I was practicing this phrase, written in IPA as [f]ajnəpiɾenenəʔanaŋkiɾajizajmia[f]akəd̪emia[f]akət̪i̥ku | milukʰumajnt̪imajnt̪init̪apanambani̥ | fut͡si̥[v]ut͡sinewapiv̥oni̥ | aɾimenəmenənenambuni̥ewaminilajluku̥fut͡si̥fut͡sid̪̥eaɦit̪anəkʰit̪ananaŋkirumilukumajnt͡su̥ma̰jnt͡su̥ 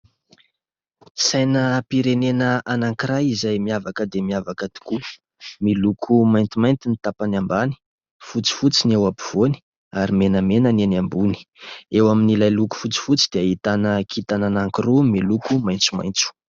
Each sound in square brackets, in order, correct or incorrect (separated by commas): incorrect, incorrect, incorrect, incorrect